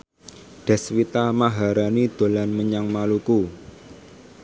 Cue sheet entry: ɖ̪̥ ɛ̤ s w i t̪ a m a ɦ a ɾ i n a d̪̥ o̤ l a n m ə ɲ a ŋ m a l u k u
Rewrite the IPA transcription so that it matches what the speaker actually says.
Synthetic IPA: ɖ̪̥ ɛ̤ s w i t̪ a m a ɦ a ɾ a n i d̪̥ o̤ l a n m ə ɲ a ŋ m a l u k u